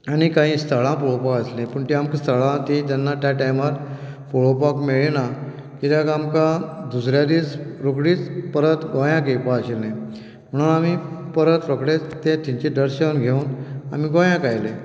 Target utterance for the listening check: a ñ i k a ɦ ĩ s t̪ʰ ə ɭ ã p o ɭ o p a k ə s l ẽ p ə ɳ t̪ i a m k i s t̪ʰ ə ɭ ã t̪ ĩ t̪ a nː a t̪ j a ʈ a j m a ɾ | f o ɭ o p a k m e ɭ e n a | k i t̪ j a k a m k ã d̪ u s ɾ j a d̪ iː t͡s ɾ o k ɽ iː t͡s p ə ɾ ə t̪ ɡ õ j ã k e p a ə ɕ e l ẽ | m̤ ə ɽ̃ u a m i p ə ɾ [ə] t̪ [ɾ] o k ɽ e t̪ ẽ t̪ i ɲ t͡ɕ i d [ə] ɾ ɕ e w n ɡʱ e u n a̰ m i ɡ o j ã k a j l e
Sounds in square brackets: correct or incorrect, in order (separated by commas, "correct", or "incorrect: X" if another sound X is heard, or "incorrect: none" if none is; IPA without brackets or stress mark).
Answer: correct, correct, correct